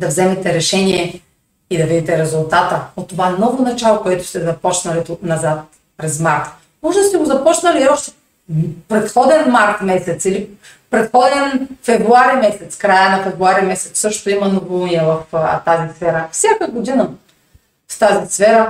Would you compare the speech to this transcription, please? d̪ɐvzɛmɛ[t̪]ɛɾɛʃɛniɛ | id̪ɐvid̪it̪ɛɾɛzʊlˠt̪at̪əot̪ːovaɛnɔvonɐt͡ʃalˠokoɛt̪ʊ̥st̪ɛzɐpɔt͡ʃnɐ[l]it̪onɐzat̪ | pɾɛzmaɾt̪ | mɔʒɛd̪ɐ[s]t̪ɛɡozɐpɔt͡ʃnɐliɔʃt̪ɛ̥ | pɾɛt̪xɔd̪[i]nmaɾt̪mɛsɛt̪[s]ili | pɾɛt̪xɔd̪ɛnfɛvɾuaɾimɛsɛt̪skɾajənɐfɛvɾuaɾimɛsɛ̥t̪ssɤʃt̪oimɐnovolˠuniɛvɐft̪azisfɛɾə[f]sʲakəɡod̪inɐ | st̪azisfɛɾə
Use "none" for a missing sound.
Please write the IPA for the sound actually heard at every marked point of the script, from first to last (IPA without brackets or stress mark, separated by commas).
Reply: t̪, l, s, ɛ, s, f